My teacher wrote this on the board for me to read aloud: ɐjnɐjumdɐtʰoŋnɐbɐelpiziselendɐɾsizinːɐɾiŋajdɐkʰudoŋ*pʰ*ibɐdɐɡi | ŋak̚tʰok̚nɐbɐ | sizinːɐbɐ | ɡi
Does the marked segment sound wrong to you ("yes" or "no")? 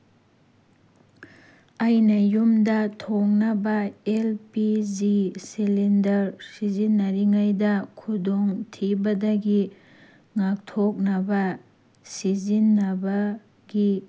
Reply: yes